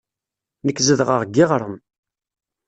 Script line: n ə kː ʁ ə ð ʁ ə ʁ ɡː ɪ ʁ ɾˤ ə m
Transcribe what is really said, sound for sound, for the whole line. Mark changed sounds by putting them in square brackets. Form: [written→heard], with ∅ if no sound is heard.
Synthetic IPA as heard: n ə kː [ʁ→z] ə ð ʁ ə ʁ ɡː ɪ ʁ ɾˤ ə m